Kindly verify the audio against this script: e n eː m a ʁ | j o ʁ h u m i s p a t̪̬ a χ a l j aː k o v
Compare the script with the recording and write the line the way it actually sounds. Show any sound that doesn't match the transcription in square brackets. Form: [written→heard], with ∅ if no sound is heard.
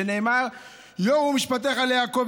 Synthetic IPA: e n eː m a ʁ | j o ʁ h u m i [s→ʃ] p a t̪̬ [a→e] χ a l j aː k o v